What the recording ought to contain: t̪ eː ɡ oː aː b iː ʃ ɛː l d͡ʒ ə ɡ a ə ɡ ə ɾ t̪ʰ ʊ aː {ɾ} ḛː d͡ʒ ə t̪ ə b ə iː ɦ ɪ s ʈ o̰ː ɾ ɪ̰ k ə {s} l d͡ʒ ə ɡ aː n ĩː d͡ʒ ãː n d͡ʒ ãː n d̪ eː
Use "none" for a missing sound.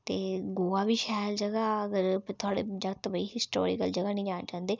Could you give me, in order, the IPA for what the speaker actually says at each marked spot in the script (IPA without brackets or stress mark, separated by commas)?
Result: ɽ, none